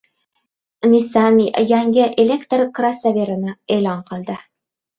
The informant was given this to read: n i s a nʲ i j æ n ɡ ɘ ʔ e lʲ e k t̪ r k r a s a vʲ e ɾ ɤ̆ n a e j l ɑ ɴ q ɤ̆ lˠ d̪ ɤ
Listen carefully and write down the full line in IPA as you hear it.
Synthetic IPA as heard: n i s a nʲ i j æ ŋ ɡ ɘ ʔ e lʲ e k t̪ r k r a s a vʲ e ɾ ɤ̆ n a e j l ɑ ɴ q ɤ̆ lˠ d̪ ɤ